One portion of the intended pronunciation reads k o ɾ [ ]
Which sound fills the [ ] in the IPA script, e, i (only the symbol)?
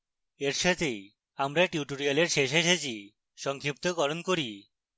i